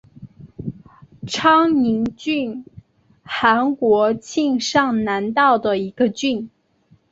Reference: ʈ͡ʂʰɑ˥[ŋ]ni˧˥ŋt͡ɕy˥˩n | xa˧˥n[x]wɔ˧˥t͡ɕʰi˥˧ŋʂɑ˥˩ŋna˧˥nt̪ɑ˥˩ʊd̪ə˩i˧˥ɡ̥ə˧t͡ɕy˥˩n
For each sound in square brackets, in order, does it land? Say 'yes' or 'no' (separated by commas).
yes, no